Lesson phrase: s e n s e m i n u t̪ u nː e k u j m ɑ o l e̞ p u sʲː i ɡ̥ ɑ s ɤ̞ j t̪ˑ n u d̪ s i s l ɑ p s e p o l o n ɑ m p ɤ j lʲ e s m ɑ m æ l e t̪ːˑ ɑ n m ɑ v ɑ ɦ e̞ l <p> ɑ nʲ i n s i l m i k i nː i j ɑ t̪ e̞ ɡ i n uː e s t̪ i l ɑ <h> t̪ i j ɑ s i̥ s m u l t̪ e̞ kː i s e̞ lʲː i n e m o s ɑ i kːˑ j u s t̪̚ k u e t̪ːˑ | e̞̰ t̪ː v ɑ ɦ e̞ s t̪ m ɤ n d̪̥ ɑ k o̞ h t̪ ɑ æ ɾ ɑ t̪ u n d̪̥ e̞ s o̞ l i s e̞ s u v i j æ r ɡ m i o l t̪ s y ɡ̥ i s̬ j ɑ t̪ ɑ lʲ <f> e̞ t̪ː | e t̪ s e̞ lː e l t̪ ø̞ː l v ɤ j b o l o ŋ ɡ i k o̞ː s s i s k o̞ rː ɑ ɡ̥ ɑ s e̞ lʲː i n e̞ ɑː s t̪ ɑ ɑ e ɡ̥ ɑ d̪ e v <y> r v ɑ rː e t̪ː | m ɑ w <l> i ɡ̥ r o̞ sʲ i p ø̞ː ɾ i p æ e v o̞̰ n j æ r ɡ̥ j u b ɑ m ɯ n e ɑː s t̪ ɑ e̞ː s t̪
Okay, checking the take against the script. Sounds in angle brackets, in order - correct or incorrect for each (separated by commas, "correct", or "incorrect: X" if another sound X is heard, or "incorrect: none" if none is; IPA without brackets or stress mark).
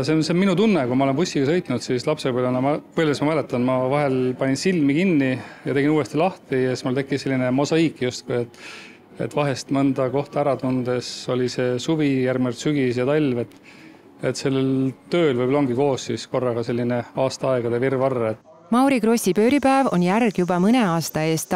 correct, correct, incorrect: v, incorrect: i, incorrect: ɾ